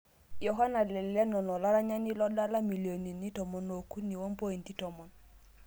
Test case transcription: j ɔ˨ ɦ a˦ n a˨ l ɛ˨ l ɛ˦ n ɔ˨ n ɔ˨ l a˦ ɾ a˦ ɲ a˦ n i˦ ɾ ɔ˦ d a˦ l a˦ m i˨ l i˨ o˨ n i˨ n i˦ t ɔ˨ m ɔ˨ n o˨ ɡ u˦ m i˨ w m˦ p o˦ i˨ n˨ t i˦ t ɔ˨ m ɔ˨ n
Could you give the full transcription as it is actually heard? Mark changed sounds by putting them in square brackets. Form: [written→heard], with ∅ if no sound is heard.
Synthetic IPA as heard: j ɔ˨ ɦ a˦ n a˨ l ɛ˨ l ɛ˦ n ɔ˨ n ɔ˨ l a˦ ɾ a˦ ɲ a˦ n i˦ [ɾ→l] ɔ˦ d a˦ l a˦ m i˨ l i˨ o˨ n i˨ n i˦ t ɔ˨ m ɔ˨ n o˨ [ɡ→k] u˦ [m→n] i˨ w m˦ p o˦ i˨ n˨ t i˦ t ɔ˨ m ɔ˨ n